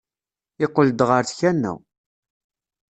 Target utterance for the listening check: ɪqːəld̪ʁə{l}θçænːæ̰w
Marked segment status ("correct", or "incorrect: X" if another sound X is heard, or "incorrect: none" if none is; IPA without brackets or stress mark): incorrect: ɾ